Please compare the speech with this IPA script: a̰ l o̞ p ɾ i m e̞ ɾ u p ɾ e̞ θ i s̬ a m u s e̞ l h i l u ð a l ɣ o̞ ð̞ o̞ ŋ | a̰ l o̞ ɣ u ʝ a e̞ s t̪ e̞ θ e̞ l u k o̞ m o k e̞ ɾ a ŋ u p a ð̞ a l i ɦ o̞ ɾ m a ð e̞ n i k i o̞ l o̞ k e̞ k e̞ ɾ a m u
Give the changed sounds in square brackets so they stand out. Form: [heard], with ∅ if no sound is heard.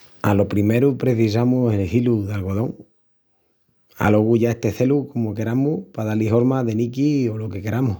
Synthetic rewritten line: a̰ l o̞ p ɾ i m e̞ ɾ u p ɾ e̞ θ i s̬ a m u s e̞ l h i l u ð a l ɣ o̞ ð̞ o̞ ŋ | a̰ l o̞ ɣ u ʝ a e̞ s t̪ e̞ θ e̞ l u k o̞ m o k e̞ ɾ a [m] u p a ð̞ a l i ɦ o̞ ɾ m a ð e̞ n i k i o̞ l o̞ k e̞ k e̞ ɾ a m u